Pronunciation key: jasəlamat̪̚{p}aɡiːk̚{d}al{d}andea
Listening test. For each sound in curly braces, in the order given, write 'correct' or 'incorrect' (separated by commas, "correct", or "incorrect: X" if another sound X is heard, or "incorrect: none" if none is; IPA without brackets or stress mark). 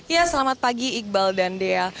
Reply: correct, incorrect: b, correct